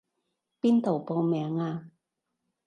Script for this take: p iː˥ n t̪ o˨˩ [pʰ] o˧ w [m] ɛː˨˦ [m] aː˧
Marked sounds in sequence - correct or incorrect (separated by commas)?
incorrect, correct, incorrect